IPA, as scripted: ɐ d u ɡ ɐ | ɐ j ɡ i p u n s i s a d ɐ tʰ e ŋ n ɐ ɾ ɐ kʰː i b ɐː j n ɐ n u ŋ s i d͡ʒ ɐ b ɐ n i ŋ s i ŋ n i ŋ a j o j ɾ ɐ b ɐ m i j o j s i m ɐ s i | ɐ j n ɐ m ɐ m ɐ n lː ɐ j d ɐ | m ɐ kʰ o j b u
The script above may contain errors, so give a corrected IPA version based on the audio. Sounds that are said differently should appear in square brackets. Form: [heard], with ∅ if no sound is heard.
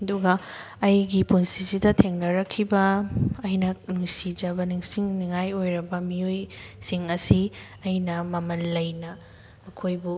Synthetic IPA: ɐ d u ɡ ɐ | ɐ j ɡ i p u n s i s [i] d ɐ tʰ e ŋ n ɐ ɾ ɐ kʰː i b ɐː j n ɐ n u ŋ s i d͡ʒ ɐ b ɐ n i ŋ s i ŋ n i ŋ a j o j ɾ ɐ b ɐ m i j o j s i [ŋ] ɐ s i | ɐ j n ɐ m ɐ m ɐ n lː ɐ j [n] ɐ | m ɐ kʰ o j b u